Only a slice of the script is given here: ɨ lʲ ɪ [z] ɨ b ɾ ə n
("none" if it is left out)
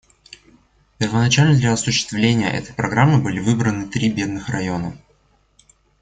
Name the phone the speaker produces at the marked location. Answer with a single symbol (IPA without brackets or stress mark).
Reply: v